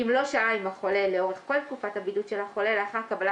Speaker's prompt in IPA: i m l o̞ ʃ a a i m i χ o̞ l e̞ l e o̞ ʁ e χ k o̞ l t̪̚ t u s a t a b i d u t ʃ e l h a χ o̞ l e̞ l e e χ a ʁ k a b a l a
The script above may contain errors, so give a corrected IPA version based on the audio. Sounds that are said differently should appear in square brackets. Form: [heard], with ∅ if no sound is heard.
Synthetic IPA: i m l o̞ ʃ a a i m [a] χ o̞ l e̞ l e o̞ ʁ e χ k o̞ l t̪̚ [k] u [f] a t a b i d u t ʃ e l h a χ o̞ l e̞ l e [a] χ a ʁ k a b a l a